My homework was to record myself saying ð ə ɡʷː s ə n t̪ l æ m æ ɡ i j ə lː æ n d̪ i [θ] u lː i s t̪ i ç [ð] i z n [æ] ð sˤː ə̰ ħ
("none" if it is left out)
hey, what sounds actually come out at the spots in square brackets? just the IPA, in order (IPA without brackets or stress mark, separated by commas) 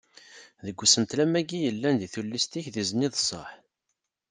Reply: θ, ð, i